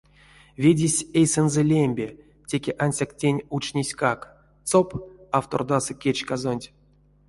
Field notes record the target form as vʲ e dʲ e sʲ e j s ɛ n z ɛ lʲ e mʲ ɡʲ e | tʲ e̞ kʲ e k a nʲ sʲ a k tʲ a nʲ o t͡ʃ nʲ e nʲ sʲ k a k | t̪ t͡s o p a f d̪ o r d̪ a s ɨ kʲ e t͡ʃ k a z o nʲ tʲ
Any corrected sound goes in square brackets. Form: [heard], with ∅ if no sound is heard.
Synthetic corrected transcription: vʲ e dʲ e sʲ e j s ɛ n z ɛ lʲ e mʲ [bʲ] e | tʲ e̞ kʲ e [ʔ] a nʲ sʲ a k tʲ [e] nʲ [u] t͡ʃ nʲ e [∅] sʲ k a k | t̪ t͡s o p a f [t̪] o r d̪ a s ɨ kʲ e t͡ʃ k a z o nʲ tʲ